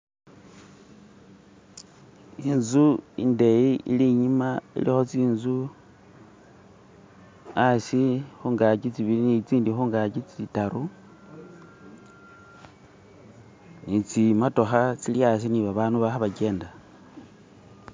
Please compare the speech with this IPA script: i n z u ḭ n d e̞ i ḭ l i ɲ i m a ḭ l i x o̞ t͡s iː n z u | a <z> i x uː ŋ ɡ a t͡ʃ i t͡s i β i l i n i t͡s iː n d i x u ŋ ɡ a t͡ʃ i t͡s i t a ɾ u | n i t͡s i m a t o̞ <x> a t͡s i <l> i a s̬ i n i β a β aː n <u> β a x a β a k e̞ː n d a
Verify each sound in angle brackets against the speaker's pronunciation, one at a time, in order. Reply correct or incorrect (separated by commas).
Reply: incorrect, correct, correct, correct